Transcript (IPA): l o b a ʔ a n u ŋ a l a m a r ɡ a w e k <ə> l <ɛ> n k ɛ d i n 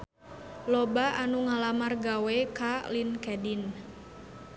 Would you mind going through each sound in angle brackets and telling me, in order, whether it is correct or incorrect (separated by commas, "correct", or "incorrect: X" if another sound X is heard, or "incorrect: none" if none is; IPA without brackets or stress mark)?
incorrect: a, incorrect: i